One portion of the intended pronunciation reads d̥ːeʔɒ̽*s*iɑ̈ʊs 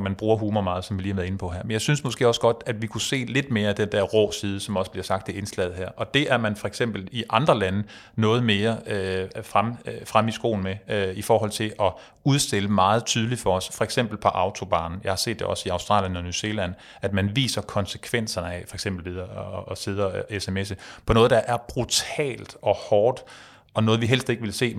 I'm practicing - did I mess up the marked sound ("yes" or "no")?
no